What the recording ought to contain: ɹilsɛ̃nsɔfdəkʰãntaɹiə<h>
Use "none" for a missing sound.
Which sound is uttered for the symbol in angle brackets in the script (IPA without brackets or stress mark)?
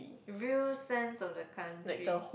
h